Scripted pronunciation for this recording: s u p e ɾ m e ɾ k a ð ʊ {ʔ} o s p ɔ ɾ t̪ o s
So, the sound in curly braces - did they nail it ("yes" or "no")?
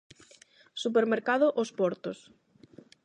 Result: yes